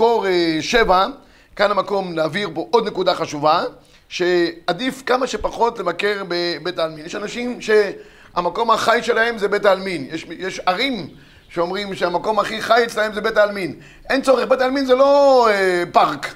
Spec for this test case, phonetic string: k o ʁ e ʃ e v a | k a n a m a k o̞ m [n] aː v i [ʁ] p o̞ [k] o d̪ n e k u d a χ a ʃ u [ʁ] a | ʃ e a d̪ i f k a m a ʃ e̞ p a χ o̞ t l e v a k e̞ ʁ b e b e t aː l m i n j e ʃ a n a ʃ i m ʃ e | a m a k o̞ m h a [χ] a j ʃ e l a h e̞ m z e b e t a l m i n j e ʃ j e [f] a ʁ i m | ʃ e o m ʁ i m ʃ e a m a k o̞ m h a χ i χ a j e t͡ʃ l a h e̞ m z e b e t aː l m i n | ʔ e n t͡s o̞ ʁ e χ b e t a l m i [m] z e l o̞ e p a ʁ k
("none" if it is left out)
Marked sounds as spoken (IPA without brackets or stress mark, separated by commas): n, ʁ, ʔ, v, χ, ʃ, n